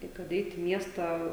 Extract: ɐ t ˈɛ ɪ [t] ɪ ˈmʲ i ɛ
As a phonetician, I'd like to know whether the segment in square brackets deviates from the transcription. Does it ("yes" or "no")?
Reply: no